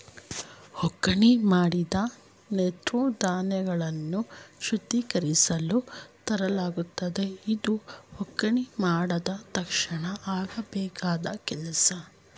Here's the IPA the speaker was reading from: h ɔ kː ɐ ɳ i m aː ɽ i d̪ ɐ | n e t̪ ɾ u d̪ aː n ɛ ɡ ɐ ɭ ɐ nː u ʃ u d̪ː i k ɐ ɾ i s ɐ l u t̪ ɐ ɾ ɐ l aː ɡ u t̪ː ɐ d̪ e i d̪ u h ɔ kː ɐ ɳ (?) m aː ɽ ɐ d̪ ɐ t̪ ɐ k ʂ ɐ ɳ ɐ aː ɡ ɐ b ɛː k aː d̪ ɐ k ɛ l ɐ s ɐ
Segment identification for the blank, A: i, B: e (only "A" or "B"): A